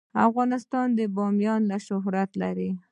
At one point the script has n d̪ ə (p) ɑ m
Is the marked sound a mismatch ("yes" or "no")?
yes